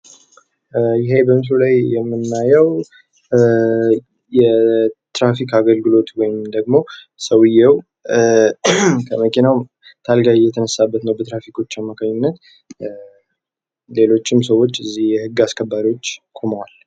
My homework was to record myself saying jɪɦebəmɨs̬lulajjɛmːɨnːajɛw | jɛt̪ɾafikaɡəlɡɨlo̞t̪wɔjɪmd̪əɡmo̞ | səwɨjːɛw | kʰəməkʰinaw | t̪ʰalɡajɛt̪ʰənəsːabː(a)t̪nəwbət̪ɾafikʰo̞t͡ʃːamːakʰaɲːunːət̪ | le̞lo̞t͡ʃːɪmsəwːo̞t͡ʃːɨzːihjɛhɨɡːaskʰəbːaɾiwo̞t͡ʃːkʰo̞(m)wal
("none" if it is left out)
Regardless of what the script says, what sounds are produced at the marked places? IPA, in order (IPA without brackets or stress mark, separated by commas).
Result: ə, m